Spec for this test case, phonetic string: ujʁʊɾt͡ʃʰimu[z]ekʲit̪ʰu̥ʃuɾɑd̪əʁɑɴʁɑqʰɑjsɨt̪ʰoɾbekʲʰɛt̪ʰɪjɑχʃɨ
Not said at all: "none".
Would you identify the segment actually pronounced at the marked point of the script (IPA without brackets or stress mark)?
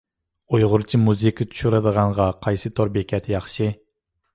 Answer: z